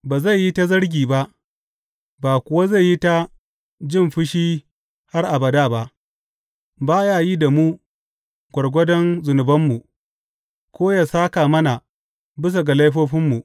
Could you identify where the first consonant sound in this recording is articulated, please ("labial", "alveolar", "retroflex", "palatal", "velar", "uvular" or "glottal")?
labial